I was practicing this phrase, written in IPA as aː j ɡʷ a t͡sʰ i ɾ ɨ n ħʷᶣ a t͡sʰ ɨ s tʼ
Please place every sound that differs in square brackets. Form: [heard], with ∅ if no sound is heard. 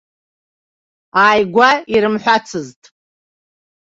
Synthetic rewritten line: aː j ɡʷ a [∅] i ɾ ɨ [m] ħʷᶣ a t͡sʰ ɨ [z] tʼ